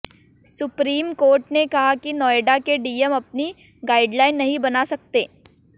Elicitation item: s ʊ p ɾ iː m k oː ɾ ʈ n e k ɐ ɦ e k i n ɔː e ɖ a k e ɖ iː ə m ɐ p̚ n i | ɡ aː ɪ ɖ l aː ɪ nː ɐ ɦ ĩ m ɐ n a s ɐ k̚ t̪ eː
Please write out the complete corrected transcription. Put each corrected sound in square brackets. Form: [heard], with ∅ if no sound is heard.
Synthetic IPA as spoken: s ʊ p ɾ iː m k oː ɾ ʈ n e k ɐ ɦ [a] k i n ɔː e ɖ a k e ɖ iː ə m ɐ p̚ n i | ɡ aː ɪ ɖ l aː ɪ nː ɐ ɦ ĩ [b] ɐ n a s ɐ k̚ t̪ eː